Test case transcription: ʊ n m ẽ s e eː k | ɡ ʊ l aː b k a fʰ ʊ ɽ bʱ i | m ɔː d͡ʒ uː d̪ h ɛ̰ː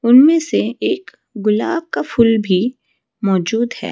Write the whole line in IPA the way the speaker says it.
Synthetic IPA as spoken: ʊ n m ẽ s e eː k | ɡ ʊ l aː b k a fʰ ʊ l bʱ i | m ɔː d͡ʒ uː d̪ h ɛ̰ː